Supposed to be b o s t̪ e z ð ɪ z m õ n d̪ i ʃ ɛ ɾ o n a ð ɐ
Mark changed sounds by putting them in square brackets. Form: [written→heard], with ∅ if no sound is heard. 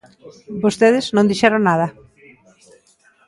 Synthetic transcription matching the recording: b o s t̪ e [z→∅] ð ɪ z [m→n] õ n d̪ i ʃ ɛ ɾ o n a ð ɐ

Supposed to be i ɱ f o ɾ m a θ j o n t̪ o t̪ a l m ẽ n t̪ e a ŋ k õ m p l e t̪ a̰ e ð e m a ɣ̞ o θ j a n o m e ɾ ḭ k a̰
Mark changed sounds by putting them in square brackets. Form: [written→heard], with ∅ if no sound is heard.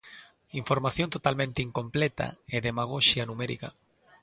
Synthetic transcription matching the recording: i ɱ f o ɾ m a θ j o n t̪ o t̪ a l m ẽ n t̪ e [a→i] ŋ k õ m p l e t̪ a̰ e ð e m a ɣ̞ o [θ→ʃ] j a n [o→u] m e ɾ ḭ k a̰

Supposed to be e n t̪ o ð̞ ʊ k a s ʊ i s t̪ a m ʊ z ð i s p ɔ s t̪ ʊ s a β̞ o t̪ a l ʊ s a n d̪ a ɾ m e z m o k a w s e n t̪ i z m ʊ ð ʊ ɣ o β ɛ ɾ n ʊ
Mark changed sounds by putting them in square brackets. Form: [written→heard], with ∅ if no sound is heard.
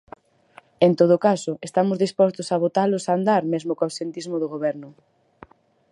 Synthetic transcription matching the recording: e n t̪ o ð̞ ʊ k a s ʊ [i→e] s t̪ a m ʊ z ð i s p ɔ s t̪ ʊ s a β̞ o t̪ a l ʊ s a n d̪ a ɾ m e z m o k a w s e n t̪ i z m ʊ ð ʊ ɣ o β ɛ ɾ n ʊ

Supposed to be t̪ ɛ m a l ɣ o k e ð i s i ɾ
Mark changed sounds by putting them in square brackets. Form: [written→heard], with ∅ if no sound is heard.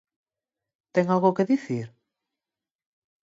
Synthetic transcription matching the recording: t̪ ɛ [m→ŋ] a l ɣ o k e ð i [s→θ] i ɾ

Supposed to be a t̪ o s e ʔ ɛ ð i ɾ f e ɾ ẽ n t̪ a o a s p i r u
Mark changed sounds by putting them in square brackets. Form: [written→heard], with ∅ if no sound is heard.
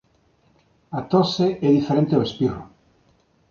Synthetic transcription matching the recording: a t̪ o s e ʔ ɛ ð i [ɾ→∅] f e ɾ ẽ n t̪ [a→e] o [a→e] s p i r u

